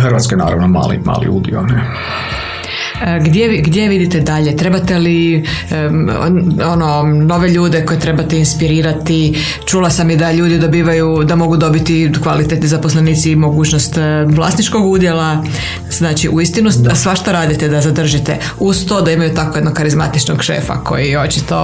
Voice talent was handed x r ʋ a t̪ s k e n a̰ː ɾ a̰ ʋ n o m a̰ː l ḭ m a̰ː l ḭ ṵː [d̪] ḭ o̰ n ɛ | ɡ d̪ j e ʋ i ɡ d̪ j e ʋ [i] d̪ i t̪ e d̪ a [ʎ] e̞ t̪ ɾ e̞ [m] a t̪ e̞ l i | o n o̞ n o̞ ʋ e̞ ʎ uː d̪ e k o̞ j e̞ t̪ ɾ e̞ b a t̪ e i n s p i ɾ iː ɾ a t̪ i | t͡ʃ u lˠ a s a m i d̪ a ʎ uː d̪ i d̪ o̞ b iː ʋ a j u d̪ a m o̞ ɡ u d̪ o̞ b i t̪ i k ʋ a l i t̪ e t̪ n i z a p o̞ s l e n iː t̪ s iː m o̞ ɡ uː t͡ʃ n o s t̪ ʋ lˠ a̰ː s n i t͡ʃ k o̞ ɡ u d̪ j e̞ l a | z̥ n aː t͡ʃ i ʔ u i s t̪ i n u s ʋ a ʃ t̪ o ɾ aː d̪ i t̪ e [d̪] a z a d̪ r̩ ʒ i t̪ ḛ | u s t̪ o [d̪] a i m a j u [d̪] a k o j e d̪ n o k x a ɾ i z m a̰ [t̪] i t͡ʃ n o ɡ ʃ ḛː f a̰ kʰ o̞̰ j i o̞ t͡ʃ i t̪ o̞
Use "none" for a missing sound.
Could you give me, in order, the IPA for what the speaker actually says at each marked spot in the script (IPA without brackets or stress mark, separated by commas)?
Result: d̪, i, ʎ, b, d̪, d̪, t̪, t̪